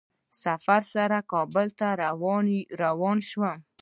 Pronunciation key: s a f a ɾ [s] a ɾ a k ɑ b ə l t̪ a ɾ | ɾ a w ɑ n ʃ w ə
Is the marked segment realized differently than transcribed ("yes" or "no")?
no